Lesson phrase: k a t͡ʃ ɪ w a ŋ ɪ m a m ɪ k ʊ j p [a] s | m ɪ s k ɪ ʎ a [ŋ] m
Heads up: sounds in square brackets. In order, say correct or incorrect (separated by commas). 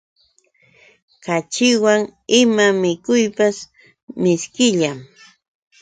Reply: correct, incorrect